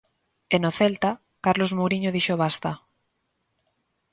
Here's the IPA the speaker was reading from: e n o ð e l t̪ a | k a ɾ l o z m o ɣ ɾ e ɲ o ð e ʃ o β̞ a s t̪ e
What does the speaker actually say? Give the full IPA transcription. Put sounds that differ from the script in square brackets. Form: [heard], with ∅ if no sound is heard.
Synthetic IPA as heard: e n o [θ] e l t̪ a | k a ɾ l o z m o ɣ ɾ [i] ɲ o ð [i] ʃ o β̞ a s t̪ [a]